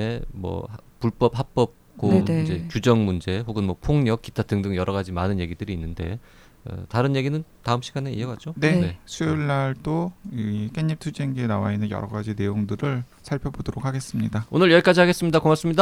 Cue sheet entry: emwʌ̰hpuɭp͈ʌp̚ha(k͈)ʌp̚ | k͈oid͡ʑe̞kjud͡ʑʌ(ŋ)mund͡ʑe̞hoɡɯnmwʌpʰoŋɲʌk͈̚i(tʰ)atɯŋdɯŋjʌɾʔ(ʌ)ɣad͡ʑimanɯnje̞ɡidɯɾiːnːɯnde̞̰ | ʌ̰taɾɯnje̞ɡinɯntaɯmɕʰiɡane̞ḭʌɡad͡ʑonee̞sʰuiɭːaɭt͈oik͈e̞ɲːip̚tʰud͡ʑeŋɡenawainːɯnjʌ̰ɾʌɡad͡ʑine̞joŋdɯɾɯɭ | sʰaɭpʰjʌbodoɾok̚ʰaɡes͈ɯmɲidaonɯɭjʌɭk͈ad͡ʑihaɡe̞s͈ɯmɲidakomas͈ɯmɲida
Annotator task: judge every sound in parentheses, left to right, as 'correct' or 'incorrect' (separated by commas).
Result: incorrect, correct, correct, correct